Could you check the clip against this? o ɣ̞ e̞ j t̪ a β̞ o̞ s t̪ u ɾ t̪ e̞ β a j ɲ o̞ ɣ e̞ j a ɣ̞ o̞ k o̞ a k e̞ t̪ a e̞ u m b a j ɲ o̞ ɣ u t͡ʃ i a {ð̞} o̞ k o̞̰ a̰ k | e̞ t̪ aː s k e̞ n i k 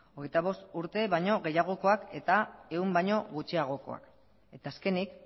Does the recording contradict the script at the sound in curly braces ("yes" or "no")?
yes